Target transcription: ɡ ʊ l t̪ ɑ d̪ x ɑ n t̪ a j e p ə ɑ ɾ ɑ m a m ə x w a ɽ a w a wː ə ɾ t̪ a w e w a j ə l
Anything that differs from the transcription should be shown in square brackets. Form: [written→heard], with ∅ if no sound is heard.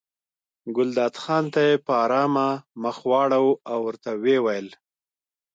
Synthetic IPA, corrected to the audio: ɡ ʊ l [t̪→d̪] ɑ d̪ x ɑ n t̪ a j e p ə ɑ ɾ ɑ m a m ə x w [a→ɑ] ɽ a w a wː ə ɾ t̪ a w e w a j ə l